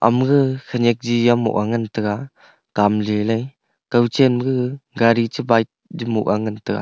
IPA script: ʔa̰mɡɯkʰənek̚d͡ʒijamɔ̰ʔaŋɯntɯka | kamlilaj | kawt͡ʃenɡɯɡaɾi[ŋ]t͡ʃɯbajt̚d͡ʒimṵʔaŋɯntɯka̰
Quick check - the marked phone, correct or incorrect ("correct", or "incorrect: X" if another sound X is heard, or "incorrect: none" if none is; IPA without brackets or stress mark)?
incorrect: none